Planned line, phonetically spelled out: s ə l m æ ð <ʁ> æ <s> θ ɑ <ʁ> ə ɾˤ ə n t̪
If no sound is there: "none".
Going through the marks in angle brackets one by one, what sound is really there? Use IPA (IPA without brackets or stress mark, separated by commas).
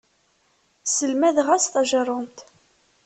ʁ, s, ʒ